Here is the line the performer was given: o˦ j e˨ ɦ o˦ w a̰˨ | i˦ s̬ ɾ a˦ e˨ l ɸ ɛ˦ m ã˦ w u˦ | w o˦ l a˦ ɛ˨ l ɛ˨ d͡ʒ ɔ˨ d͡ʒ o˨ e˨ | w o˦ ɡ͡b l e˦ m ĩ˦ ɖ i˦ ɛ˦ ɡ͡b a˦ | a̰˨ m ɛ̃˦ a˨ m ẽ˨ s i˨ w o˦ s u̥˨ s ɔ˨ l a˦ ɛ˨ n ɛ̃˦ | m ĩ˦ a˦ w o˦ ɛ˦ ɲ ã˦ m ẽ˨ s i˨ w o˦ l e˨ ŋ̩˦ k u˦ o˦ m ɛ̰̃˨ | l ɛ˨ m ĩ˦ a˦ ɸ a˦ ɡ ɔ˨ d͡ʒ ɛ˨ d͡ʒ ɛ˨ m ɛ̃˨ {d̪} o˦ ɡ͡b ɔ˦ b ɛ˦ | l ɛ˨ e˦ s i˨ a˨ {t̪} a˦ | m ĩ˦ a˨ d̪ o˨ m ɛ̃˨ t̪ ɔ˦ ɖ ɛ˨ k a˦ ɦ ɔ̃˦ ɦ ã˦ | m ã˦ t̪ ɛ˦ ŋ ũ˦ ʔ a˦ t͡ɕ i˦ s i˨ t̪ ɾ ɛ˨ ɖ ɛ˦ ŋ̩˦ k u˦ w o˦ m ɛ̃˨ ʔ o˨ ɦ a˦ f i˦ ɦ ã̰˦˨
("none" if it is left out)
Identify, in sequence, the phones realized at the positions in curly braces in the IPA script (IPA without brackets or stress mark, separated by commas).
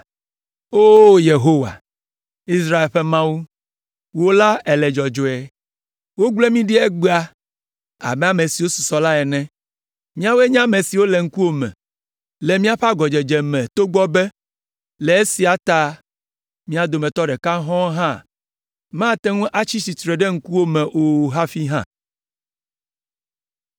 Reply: t̪, t̪